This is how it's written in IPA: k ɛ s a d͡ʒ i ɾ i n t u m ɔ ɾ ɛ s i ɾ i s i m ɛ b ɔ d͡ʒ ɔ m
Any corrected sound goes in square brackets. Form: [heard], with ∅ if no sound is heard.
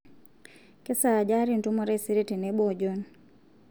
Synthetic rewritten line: k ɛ s a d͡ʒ [a] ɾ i n t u m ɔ ɾ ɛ s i ɾ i [t] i [n] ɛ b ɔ d͡ʒ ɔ [n]